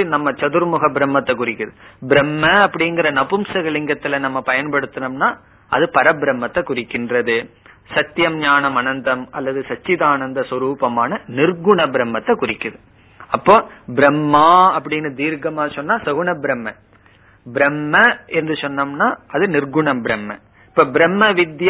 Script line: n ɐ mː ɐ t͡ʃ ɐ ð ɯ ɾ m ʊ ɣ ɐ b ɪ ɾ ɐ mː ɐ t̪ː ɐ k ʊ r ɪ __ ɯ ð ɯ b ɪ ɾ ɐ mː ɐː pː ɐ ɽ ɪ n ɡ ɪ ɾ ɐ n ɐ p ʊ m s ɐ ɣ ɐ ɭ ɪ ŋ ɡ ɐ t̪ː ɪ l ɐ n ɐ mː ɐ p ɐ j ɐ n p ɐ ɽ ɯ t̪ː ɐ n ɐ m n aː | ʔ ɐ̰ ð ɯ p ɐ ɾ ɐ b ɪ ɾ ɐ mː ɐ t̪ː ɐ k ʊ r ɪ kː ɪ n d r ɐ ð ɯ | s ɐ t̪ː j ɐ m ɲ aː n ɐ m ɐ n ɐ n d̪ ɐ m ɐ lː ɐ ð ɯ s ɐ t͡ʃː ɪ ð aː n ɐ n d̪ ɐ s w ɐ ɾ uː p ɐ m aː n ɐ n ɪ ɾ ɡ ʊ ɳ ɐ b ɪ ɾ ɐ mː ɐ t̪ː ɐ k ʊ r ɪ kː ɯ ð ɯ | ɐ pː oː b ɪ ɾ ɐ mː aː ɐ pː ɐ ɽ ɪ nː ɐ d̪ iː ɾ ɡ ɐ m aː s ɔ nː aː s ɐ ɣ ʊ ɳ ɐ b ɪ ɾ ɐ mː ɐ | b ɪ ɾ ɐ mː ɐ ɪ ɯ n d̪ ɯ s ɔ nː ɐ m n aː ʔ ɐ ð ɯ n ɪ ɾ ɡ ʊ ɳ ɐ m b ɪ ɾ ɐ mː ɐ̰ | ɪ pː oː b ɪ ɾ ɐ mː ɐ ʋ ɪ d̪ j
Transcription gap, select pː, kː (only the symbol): kː